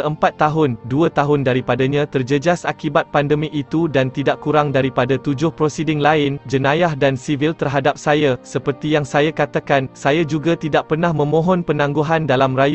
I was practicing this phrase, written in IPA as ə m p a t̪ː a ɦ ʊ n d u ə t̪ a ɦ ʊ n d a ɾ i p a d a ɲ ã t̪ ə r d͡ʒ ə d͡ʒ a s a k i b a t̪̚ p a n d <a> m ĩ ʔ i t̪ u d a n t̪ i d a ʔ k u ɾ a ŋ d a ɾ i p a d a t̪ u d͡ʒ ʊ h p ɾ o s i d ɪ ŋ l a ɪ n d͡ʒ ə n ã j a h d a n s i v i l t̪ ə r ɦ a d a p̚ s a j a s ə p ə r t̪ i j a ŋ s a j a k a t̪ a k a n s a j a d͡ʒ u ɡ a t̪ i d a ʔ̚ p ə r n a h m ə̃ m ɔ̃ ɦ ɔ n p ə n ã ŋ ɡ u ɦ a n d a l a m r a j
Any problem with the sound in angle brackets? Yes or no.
yes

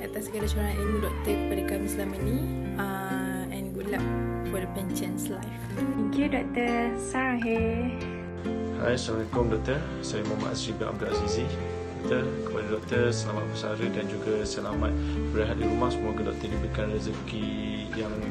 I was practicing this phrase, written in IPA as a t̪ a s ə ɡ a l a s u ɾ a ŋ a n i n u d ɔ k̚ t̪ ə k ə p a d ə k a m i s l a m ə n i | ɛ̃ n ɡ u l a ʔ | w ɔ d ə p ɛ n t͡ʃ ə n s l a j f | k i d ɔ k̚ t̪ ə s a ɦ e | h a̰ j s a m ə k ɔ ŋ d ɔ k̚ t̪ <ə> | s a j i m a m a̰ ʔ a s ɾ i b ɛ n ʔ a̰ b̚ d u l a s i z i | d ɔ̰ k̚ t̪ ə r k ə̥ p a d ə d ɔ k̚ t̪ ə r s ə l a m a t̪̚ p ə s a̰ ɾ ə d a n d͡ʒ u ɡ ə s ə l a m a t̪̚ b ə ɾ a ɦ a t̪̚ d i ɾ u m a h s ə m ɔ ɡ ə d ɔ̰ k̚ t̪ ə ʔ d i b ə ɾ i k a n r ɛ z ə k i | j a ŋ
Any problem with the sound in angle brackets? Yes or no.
no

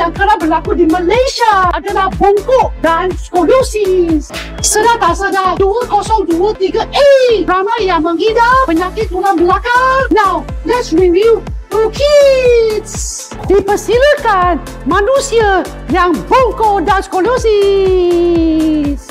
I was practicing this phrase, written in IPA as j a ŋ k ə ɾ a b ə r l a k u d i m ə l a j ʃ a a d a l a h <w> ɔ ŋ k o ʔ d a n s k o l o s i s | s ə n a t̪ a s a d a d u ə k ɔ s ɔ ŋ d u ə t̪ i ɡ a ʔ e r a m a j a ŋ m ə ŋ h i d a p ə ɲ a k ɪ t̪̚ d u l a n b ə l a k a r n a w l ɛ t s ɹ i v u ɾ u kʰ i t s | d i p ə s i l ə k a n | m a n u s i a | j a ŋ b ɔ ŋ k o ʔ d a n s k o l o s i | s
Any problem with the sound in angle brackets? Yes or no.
yes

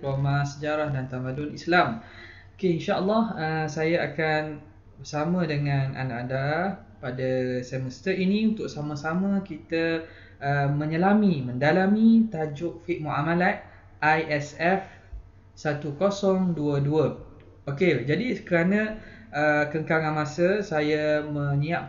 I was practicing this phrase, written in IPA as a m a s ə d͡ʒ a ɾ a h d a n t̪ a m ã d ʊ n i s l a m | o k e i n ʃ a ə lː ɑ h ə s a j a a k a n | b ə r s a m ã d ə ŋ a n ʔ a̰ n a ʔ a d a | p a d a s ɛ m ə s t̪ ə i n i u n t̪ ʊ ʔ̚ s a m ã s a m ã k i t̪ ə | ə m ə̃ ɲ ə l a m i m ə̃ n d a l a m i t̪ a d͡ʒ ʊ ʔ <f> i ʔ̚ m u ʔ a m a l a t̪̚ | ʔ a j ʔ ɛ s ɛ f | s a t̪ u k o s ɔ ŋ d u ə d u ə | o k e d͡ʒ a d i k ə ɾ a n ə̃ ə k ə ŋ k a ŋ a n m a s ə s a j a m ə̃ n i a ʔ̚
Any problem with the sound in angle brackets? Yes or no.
no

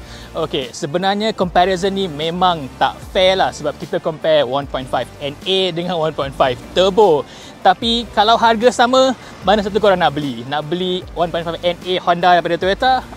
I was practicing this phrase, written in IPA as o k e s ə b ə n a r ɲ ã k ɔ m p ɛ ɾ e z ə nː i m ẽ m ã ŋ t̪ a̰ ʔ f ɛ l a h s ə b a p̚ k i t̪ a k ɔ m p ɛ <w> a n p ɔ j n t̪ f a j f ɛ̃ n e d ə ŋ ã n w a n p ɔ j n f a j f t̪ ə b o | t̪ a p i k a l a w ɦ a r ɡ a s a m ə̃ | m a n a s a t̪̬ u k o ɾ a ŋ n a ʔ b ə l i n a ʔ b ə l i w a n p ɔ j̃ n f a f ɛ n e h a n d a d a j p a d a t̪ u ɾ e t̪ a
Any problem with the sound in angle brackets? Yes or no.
no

